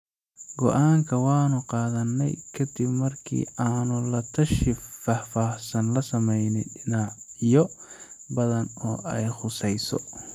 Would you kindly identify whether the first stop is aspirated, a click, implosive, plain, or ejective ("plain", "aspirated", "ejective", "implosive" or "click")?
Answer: plain